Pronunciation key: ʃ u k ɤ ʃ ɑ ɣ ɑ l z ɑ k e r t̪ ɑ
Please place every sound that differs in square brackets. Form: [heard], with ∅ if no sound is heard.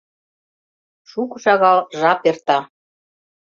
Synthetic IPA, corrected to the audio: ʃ u k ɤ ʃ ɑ ɣ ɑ l [ʒ] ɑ [p] e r t̪ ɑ